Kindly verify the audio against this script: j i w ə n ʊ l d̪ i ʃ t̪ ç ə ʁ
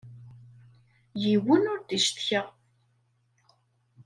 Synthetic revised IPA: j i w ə n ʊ ɾ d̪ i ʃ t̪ ç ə ʁ